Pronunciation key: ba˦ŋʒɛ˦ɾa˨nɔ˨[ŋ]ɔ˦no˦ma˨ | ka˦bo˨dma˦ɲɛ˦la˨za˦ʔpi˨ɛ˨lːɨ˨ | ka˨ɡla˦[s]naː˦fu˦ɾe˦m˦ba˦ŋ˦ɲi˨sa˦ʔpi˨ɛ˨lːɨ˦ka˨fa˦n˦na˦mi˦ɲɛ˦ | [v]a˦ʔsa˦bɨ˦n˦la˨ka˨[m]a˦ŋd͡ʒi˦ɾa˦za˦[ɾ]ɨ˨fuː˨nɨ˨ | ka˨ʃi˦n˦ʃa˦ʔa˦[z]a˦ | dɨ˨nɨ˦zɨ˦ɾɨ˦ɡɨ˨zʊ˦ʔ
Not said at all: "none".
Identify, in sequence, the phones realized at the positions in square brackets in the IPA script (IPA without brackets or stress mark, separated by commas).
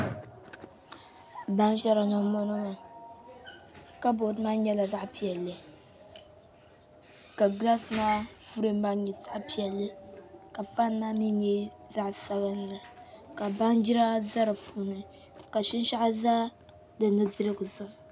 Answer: m, s, z, b, ɾ, z